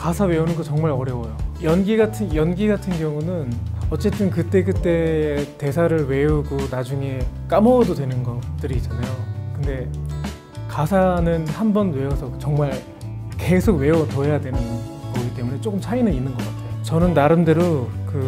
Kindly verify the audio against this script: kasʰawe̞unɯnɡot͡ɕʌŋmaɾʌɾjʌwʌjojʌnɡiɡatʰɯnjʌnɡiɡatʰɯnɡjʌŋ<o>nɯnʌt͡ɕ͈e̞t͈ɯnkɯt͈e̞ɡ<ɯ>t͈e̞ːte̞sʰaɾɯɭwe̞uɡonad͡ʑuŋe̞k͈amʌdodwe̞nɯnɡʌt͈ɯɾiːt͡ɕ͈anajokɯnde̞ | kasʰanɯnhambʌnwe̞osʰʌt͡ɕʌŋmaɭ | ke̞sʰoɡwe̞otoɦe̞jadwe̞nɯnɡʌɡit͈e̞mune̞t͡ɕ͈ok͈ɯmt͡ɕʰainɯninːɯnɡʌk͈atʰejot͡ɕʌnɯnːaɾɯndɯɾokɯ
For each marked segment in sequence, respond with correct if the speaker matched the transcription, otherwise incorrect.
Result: incorrect: u, correct

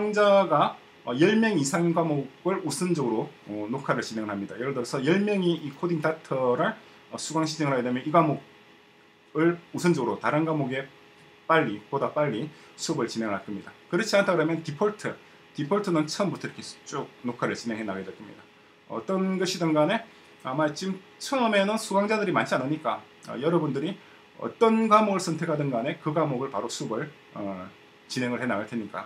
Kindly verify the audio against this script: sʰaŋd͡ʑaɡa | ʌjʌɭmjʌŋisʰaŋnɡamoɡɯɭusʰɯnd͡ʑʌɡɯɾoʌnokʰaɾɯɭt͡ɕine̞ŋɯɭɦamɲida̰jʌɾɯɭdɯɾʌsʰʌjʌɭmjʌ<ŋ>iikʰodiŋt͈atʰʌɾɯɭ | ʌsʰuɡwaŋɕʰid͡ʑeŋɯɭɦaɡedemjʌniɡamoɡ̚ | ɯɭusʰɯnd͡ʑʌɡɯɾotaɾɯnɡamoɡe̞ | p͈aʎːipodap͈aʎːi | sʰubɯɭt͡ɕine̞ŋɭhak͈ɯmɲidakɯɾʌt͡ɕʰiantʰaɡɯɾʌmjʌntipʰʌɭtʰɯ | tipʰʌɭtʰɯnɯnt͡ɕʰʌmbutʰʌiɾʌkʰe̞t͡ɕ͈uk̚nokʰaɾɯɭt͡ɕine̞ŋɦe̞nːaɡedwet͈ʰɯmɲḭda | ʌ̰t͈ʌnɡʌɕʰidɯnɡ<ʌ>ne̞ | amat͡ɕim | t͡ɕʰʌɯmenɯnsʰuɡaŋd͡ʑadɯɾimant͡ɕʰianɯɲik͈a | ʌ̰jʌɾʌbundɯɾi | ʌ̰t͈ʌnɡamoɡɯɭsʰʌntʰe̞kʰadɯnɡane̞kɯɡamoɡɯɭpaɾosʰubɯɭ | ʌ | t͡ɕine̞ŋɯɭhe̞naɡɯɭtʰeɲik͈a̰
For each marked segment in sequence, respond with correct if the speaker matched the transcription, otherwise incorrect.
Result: correct, incorrect: a

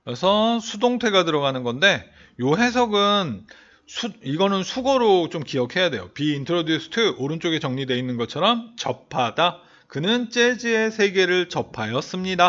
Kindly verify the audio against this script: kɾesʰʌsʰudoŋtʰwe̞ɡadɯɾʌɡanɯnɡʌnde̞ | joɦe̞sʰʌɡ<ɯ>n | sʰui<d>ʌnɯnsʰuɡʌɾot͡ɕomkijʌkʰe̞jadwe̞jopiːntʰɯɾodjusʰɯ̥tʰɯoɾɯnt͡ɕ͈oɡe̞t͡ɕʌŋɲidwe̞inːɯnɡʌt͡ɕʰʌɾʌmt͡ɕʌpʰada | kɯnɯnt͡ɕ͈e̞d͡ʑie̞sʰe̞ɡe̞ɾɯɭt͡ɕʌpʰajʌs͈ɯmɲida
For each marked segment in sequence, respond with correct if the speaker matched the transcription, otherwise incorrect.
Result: correct, incorrect: ɡ

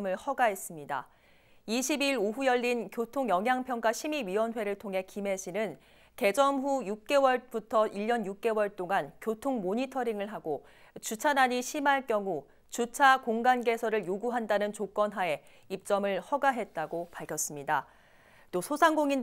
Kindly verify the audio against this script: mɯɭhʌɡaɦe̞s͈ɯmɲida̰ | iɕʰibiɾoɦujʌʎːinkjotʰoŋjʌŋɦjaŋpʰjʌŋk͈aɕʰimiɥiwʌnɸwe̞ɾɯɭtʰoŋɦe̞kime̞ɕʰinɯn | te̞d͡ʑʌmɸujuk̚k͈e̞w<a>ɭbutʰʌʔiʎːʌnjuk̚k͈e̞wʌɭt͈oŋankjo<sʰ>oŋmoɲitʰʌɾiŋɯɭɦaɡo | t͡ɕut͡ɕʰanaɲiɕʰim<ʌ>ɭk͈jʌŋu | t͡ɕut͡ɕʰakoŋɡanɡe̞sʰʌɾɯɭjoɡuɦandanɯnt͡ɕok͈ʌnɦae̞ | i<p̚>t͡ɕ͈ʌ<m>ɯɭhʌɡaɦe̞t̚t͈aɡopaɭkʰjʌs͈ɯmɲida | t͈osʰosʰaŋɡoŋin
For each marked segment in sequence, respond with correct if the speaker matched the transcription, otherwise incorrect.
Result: incorrect: ʌ, incorrect: tʰ, incorrect: a, correct, correct

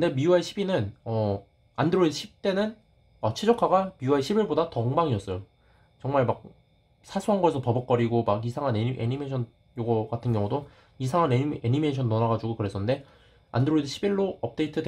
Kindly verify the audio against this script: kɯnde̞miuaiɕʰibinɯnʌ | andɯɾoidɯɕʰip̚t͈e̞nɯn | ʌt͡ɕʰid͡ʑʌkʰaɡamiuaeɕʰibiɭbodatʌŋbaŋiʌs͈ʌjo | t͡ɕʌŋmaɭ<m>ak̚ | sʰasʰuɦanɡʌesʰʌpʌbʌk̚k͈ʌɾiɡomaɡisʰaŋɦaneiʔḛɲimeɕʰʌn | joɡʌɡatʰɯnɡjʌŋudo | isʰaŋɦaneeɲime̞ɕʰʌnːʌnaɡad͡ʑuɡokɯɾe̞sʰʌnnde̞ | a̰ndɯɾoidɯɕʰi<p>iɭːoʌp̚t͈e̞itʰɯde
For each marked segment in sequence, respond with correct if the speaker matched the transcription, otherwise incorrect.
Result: correct, incorrect: b

